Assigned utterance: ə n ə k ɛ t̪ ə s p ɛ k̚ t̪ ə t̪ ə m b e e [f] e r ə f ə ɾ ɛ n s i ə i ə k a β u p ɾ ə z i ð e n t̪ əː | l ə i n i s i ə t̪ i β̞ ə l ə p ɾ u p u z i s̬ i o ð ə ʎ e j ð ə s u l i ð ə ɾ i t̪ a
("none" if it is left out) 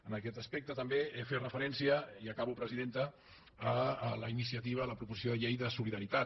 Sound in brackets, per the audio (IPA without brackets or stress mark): f